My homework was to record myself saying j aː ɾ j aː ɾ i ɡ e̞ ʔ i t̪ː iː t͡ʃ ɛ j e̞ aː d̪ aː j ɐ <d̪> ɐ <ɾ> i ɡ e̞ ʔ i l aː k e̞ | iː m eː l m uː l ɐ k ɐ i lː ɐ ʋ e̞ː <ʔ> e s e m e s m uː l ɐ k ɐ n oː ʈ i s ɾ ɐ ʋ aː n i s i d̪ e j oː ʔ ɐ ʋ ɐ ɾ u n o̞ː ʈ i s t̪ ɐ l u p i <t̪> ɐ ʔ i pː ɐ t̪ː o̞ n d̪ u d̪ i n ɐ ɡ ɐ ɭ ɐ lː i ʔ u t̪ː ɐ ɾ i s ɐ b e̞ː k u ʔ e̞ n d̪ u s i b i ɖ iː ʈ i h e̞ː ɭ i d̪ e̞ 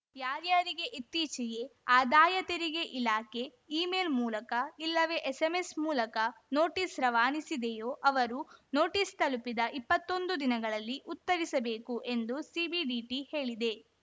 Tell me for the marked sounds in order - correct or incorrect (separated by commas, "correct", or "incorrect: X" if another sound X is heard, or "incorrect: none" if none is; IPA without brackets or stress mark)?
incorrect: t̪, correct, correct, incorrect: d̪